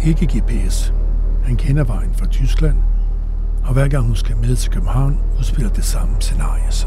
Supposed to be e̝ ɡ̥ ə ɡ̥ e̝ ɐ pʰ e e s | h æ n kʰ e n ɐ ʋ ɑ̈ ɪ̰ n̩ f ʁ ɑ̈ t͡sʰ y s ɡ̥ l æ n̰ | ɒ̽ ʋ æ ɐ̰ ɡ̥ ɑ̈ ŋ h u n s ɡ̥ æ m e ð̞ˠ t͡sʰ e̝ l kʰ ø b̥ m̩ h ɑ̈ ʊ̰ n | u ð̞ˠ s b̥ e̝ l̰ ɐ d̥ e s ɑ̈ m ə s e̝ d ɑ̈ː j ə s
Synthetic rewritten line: e̝ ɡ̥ ə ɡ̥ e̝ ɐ pʰ e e s | h æ n kʰ e n ɐ ʋ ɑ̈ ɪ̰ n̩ f ʁ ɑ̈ t͡sʰ y s ɡ̥ l æ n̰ | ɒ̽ ʋ æ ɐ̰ ɡ̥ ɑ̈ ŋ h u n s ɡ̥ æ m e ð̞ˠ t͡sʰ e̝ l kʰ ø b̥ m̩ h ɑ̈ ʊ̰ n | u ð̞ˠ s b̥ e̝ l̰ ɐ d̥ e s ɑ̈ m ə s e̝ n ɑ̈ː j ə s